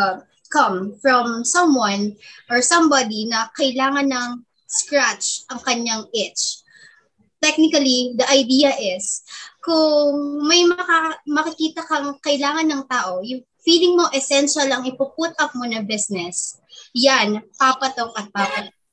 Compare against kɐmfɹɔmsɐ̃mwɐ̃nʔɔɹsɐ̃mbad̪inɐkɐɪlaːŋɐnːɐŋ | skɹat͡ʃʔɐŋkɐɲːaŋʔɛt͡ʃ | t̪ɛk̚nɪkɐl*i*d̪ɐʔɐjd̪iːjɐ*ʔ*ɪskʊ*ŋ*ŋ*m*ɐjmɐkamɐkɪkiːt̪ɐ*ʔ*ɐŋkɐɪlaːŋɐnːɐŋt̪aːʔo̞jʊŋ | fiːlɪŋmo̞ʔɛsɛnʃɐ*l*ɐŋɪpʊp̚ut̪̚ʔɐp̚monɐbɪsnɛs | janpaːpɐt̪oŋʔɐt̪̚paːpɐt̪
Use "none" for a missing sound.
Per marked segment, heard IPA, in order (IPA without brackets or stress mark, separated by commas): i, ʔ, ŋ, m, k, l